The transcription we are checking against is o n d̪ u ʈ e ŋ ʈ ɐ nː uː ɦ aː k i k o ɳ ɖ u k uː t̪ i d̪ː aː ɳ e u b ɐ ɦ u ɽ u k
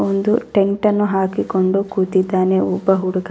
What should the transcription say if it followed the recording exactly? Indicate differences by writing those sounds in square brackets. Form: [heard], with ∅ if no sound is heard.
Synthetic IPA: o n d̪ u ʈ e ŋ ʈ ɐ nː [u] ɦ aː k i k o ɳ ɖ u k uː t̪ i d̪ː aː [n] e u b ɐ ɦ u ɽ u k